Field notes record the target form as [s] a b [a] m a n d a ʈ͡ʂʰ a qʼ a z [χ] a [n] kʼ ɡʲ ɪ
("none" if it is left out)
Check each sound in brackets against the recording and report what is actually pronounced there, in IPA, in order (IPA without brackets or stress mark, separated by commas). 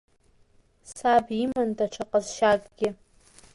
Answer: s, i, ʃ, none